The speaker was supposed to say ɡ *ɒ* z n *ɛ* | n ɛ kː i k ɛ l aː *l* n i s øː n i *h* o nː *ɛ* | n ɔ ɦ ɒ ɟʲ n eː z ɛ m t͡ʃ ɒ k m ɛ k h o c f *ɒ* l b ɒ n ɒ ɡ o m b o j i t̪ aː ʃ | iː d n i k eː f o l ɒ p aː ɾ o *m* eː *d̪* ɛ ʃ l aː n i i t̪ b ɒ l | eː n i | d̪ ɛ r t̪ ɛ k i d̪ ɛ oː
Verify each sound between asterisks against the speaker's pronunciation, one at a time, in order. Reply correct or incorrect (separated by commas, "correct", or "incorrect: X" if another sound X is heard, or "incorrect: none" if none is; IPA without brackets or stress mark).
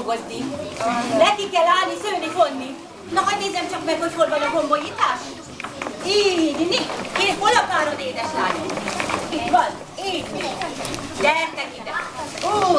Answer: incorrect: o, incorrect: i, correct, incorrect: f, incorrect: i, incorrect: o, incorrect: n, correct